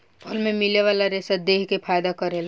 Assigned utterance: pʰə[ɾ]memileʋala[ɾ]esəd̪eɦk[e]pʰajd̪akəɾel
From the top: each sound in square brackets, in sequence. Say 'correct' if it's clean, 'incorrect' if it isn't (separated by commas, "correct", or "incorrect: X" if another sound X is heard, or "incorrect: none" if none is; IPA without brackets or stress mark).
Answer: incorrect: l, correct, correct